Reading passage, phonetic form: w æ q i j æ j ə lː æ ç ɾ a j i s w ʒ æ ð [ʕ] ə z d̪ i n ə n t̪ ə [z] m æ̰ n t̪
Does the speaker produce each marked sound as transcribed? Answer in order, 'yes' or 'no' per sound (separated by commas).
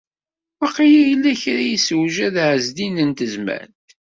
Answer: yes, yes